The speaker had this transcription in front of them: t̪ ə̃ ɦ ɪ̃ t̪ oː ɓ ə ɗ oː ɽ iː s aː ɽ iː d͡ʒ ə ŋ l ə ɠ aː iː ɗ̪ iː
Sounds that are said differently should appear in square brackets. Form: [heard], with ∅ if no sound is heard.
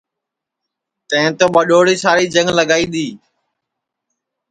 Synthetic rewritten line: t̪ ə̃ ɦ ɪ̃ t̪ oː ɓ ə ɗ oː ɽ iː s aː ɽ iː d͡ʒ ə ŋ l ə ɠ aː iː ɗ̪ iː